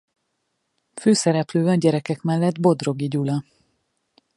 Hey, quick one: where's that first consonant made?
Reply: lips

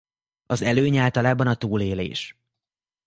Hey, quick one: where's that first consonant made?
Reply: tongue tip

